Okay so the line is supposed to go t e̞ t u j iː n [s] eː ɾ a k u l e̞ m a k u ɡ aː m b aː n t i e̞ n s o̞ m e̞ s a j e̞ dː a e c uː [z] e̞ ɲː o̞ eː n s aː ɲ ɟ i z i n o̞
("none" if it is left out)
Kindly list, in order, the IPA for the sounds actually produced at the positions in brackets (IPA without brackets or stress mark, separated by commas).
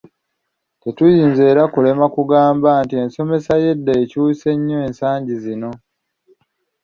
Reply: z, s